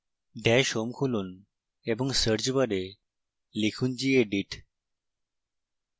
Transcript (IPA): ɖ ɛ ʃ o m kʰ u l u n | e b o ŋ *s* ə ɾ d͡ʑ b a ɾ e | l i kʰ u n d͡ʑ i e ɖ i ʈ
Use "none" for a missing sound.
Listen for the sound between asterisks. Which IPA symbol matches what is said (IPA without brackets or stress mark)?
s